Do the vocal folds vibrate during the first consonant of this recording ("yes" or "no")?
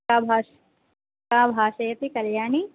yes